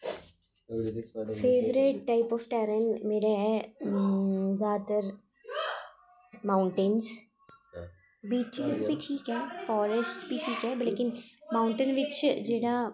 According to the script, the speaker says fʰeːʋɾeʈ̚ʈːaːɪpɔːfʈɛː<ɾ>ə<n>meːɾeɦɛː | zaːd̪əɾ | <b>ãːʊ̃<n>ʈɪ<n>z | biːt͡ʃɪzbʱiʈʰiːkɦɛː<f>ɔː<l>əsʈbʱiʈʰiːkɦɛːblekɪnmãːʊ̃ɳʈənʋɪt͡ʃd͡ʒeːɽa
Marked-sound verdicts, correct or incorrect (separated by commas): correct, correct, incorrect, incorrect, correct, correct, incorrect